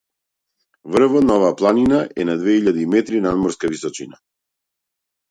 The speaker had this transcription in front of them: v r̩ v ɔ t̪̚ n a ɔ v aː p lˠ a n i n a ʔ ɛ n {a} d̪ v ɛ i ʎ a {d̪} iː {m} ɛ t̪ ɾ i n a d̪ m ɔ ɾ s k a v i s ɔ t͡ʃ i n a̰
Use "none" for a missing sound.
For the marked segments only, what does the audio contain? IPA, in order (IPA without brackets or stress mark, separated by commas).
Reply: a, d̪, m